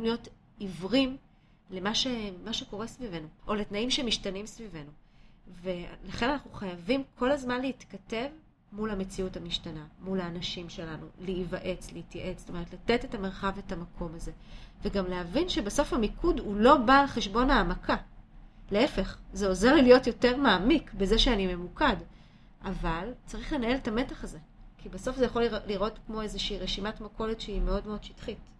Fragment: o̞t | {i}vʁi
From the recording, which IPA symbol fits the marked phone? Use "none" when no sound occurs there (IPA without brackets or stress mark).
i